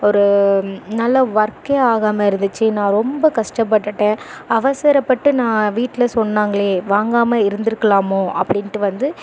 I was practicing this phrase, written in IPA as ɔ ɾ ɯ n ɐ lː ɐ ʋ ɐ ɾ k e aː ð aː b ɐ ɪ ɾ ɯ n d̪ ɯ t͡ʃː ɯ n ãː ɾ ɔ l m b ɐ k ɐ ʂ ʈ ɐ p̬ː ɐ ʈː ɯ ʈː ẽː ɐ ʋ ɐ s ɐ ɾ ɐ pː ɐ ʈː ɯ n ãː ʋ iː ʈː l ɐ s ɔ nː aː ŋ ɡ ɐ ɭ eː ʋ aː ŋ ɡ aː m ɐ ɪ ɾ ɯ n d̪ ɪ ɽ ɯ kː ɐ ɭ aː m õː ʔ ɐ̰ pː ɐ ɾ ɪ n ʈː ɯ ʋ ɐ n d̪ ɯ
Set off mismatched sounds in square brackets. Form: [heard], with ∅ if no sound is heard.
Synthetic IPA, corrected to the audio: ɔ ɾ ɯ n ɐ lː ɐ ʋ ɐ ɾ k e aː [ɣ] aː [m] ɐ ɪ ɾ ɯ n d̪ ɯ t͡ʃː ɯ n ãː ɾ ɔ [∅] m b ɐ k ɐ ʂ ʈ ɐ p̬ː ɐ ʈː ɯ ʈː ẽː ɐ ʋ ɐ s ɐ ɾ ɐ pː ɐ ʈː ɯ n ãː ʋ iː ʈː l ɐ s ɔ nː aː ŋ ɡ ɐ ɭ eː ʋ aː ŋ ɡ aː m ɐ ɪ ɾ ɯ n d̪ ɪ [ɾ] ɯ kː ɐ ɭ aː m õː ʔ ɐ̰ pː ɐ [ɽ] ɪ n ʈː ɯ ʋ ɐ n d̪ ɯ